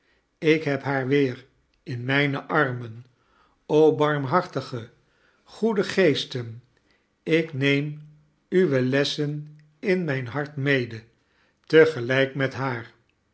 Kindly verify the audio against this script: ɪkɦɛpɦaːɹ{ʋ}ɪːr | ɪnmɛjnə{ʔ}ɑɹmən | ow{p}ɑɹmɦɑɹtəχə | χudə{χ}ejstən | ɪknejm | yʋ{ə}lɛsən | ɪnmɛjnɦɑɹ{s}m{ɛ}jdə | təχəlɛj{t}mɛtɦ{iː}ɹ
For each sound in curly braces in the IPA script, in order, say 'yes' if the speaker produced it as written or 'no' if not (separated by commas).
yes, yes, no, yes, yes, no, no, no, no